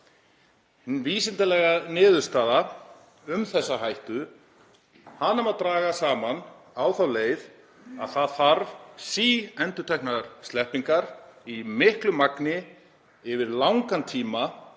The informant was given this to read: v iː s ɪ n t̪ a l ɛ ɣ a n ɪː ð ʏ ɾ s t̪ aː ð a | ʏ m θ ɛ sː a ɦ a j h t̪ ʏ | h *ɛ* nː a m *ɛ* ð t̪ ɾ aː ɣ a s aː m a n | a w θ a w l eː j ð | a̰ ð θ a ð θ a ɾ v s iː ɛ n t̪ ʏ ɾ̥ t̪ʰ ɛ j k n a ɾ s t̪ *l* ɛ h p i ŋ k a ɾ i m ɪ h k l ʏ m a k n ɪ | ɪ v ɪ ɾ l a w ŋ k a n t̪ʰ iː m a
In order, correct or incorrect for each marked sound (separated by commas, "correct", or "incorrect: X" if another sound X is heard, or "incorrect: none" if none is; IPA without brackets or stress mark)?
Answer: incorrect: a, incorrect: a, correct